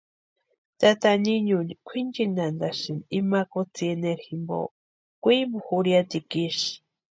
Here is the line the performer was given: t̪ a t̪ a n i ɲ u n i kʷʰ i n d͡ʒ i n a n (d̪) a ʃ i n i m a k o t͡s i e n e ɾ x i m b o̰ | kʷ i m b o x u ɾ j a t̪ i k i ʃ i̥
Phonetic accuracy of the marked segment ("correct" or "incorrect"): correct